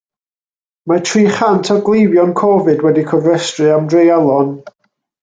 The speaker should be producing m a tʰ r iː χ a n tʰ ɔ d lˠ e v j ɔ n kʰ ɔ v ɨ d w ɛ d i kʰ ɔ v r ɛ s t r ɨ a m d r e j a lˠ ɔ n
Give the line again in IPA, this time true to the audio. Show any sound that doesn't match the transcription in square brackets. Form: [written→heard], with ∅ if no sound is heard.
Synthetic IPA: m a tʰ r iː χ a n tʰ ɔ [d→ɡ] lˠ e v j ɔ n kʰ ɔ v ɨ d w ɛ d i kʰ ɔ v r ɛ s t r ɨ a m d r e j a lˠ ɔ n